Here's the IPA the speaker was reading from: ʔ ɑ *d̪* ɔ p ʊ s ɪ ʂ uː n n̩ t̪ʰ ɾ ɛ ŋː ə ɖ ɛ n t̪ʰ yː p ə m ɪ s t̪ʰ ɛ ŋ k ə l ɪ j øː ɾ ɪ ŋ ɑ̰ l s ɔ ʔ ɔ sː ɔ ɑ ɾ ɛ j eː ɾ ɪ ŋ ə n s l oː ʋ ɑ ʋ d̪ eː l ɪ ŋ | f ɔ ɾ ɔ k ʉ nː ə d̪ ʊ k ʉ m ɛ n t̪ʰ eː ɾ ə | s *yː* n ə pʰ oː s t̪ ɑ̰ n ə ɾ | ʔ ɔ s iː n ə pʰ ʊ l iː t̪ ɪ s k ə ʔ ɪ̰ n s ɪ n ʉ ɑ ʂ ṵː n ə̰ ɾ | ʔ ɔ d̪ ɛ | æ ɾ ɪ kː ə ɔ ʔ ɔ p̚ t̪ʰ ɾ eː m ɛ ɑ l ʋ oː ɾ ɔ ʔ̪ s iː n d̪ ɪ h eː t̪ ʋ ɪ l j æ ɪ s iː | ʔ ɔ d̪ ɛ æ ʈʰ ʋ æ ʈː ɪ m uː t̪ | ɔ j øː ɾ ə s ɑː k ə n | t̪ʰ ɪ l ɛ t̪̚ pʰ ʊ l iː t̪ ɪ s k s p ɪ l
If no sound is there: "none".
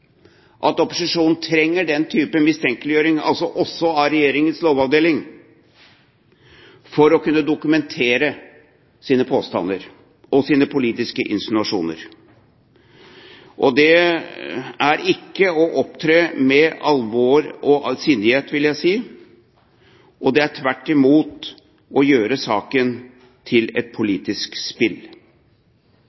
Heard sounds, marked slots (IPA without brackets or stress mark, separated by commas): t̪, iː